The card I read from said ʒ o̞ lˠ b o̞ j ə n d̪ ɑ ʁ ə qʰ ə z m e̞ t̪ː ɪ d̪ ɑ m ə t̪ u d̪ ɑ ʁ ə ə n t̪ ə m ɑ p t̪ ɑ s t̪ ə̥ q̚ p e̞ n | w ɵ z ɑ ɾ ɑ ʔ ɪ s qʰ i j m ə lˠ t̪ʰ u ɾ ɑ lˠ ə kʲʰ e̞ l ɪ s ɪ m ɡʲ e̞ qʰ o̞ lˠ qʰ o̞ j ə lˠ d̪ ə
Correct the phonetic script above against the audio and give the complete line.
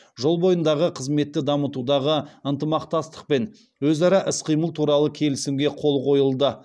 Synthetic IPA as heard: ʒ o̞ lˠ b o̞ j ə n d̪ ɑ ʁ ə qʰ ə z m e̞ t̪ː ɪ d̪ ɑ m ə t̪ u d̪ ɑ ʁ ə ə n t̪ ə m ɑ q t̪ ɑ s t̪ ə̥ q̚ p e̞ n | w ɵ z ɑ ɾ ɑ ʔ ɪ s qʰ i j m ə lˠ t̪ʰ u ɾ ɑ lˠ ə kʲʰ e̞ l ɪ s ɪ m ɡʲ e̞ qʰ o̞ lˠ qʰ o̞ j ə lˠ d̪ ə